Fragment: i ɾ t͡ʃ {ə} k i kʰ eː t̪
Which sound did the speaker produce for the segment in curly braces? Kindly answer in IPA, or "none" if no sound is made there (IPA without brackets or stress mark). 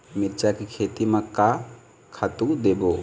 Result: a